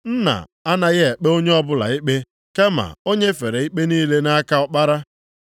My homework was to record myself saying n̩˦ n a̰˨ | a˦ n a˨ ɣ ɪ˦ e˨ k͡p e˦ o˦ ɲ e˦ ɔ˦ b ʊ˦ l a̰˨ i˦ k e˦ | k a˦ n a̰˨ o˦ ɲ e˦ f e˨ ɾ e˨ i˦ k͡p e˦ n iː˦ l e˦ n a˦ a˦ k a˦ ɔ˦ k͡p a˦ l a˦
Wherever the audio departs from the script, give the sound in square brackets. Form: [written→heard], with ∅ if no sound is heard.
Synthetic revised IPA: n̩˦ n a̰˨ | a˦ n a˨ ɣ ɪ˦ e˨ k͡p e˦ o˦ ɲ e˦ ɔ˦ b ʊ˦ l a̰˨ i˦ [k→k͡p] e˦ | k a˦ [n→m] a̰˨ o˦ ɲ e˦ f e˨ ɾ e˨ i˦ k͡p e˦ n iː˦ l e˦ n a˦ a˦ k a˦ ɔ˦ k͡p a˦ [l→ɾ] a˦